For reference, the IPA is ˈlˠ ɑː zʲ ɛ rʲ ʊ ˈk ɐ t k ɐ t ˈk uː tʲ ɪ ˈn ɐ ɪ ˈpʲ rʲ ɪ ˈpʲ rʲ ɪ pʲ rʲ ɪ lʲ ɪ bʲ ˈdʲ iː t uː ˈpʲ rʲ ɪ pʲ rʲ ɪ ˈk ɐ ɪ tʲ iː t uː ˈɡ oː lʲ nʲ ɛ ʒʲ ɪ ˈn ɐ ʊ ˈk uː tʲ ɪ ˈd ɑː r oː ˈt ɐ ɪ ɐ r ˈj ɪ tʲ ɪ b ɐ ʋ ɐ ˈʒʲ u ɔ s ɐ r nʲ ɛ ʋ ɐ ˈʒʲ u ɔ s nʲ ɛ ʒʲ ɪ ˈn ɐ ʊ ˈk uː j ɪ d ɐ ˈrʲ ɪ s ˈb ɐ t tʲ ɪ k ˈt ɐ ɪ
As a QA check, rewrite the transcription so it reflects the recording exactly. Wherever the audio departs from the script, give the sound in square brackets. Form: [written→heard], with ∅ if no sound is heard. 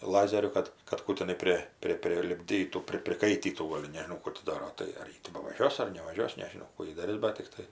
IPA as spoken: ˈlˠ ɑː zʲ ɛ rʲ ʊ ˈk ɐ t k ɐ t ˈk uː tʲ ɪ ˈn ɐ ɪ ˈpʲ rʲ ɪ ˈpʲ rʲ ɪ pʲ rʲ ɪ lʲ ɪ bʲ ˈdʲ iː t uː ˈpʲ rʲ ɪ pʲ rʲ ɪ ˈk ɐ ɪ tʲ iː t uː ˈɡ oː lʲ nʲ ɛ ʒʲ ɪ ˈn ɐ ʊ ˈk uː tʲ ɪ ˈd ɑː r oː ˈt ɐ ɪ ɐ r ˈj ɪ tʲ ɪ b ɐ ʋ ɐ ˈʒʲ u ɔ s ɐ r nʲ ɛ ʋ ɐ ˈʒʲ u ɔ s nʲ ɛ ʒʲ ɪ ˈn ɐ ʊ ˈk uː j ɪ d ɐ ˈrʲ ɪ s ˈb ɐ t tʲ ɪ k ˈt ɐ ɪ